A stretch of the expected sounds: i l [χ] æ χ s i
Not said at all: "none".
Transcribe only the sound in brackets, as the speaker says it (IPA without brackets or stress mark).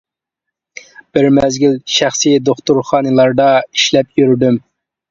ʃ